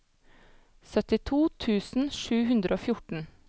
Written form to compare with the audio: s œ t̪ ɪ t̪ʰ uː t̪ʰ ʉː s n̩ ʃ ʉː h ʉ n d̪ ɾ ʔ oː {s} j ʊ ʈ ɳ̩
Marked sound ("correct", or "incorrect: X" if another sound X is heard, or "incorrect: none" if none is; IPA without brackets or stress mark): incorrect: f